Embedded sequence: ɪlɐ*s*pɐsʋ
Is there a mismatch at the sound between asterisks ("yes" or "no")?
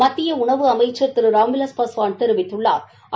no